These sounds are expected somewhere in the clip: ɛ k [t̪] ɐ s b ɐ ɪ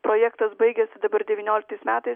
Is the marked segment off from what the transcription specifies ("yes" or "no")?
no